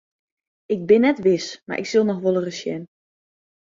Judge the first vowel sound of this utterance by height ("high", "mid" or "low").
high